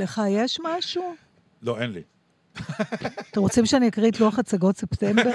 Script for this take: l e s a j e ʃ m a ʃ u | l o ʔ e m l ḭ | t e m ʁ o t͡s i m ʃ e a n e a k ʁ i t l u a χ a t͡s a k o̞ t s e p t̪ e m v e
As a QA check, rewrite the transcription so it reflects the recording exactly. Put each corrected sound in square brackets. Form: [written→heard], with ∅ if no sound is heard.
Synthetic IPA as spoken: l e [s→χ] a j e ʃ m a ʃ u | l o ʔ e [m→n] l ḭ | t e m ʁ o t͡s i m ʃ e a n [e→i] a k ʁ i t l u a χ a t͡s a [k→ɡ] o̞ t s e p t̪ e m [v→b] e